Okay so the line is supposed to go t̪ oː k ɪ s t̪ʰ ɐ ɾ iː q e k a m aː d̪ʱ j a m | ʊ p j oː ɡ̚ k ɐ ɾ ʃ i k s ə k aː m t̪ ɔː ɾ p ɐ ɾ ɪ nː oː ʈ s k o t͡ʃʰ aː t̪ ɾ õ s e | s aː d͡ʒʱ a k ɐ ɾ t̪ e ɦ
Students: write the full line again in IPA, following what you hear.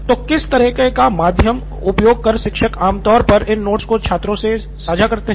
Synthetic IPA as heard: t̪ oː k ɪ s t̪ ɐ ɾ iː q e k a m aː d̪ʱ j ə m | ʊ p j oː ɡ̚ k ɐ ɾ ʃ ɪ k ʃ ə k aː m t̪ ɔː ɾ p ɐ ɾ ɪ nː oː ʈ s k o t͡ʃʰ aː t̪ ɾ õ s e | s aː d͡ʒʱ a k ɐ ɾ t̪ e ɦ